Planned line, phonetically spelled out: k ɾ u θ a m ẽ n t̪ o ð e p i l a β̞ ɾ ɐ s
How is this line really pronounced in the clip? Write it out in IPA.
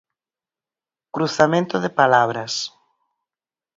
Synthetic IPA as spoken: k ɾ u θ a m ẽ n t̪ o ð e p a l a β̞ ɾ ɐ s

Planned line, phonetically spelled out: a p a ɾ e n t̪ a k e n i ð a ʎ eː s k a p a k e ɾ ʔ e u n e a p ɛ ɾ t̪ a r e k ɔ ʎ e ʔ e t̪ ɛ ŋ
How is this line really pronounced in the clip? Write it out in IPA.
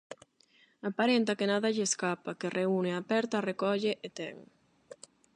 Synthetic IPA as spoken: a p a ɾ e n t̪ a k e n a ð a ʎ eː s k a p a k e r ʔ e u n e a p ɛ ɾ t̪ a r e k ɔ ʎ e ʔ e t̪ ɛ ŋ

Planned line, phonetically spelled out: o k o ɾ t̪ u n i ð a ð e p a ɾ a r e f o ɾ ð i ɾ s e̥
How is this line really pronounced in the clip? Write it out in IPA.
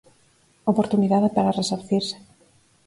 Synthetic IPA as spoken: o p o ɾ t̪ u n i ð a ð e p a ɾ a r e s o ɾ θ i ɾ s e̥

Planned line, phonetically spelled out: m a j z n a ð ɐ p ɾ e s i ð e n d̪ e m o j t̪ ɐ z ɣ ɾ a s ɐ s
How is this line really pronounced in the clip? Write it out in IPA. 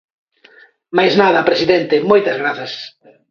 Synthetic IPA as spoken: m a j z n a ð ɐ p ɾ e s i ð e n t̪ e m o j t̪ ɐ z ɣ ɾ a θ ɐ s

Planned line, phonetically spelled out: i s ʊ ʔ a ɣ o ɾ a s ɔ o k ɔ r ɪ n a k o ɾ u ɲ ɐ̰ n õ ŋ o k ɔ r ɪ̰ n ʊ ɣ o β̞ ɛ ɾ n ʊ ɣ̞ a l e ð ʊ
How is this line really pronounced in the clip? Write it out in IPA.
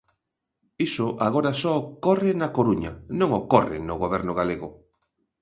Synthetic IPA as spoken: i s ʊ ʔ a ɣ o ɾ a s ɔ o k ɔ r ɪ n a k o ɾ u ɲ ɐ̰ n õ ŋ o k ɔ r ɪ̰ n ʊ ɣ o β̞ ɛ ɾ n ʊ ɣ̞ a l e ɣ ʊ

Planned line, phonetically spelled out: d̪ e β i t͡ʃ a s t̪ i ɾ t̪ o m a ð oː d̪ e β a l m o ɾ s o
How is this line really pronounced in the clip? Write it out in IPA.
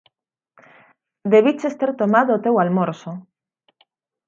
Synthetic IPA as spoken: d̪ e β i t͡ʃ e s t̪ e ɾ t̪ o m a ð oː t̪ e w a l m o ɾ s o

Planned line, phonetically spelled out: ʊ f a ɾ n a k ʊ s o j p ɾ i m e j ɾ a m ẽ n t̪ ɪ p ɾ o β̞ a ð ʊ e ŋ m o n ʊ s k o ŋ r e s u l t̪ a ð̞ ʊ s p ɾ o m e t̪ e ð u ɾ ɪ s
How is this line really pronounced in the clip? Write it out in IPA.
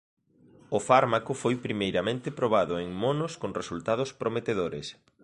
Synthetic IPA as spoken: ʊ f a ɾ m a k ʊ f o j p ɾ i m e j ɾ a m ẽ n t̪ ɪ p ɾ o β̞ a ð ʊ e ŋ m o n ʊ s k o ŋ r e s u l t̪ a ð̞ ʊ s p ɾ o m e t̪ e ð o ɾ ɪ s

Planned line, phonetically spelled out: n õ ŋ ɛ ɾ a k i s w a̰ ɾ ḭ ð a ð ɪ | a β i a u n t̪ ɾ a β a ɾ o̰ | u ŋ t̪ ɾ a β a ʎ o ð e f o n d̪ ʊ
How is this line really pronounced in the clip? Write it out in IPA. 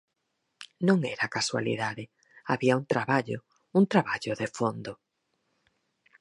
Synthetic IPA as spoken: n õ ŋ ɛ ɾ a k a s w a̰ l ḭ ð a ð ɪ | a β i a u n t̪ ɾ a β a ʎ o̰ | u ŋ t̪ ɾ a β a ʎ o ð e f o n d̪ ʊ

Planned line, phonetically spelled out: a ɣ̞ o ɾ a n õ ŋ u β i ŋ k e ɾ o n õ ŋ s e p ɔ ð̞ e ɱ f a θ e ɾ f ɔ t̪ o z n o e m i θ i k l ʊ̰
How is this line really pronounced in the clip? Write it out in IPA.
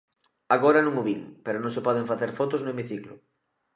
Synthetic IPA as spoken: a ɣ̞ o ɾ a n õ ŋ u β i ŋ p e ɾ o n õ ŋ s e p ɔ ð̞ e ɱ f a θ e ɾ f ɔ t̪ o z n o e m i θ i k l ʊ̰

